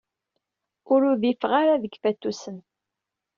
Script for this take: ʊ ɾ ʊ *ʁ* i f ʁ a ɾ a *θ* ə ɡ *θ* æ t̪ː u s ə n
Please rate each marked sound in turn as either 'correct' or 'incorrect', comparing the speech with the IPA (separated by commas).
incorrect, incorrect, incorrect